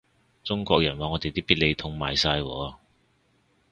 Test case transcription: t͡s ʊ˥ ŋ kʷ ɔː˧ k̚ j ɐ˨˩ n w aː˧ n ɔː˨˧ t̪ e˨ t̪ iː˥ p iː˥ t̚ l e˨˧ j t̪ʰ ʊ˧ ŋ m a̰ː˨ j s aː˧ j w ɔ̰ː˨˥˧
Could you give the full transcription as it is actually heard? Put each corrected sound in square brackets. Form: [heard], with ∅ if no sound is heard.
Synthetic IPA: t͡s ʊ˥ ŋ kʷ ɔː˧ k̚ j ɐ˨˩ n w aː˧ [ŋ] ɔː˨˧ t̪ e˨ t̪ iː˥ p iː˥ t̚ l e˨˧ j t̪ʰ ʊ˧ ŋ m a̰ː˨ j s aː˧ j w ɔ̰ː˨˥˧